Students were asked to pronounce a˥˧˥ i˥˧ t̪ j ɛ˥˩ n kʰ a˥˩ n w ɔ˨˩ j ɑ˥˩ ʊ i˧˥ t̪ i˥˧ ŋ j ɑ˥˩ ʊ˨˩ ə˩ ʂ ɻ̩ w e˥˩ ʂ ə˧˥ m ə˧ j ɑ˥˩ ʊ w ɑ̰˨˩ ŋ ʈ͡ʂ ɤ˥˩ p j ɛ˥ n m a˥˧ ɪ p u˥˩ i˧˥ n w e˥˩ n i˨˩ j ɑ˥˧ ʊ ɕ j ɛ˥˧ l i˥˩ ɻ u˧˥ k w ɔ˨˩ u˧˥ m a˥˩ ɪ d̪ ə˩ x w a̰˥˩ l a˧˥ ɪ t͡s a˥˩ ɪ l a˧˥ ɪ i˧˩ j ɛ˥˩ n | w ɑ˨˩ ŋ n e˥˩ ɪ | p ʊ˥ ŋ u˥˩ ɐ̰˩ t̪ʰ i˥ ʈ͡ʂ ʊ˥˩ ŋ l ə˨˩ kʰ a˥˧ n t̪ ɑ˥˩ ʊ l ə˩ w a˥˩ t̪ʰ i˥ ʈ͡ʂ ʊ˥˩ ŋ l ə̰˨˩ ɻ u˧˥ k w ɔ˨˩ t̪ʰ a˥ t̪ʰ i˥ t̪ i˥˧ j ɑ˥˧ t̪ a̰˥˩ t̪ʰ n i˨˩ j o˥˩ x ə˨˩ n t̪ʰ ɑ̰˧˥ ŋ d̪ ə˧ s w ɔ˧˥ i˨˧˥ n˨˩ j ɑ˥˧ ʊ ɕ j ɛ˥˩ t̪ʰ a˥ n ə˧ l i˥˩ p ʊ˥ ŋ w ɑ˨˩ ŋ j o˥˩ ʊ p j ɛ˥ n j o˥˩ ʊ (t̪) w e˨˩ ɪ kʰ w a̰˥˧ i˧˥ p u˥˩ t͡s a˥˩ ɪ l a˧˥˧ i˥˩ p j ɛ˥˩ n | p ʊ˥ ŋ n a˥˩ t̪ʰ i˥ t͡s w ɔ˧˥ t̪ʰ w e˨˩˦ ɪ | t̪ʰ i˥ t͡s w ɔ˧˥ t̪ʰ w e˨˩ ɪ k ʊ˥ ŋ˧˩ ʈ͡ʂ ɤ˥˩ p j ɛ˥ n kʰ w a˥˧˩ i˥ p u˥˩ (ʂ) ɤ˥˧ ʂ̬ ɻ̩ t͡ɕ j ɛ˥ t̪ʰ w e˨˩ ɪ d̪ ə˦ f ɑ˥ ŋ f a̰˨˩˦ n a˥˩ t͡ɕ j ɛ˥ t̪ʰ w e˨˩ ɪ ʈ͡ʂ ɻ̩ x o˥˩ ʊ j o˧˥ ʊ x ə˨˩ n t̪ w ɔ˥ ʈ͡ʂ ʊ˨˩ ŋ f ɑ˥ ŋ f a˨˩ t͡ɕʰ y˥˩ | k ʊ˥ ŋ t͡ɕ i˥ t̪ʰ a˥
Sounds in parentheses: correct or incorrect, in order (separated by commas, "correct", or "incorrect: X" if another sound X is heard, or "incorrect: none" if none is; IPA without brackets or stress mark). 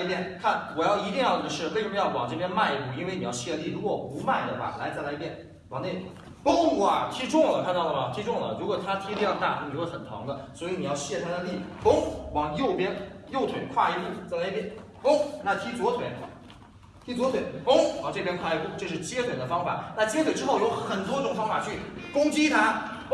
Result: incorrect: t̪ʰ, incorrect: ʈ͡ʂ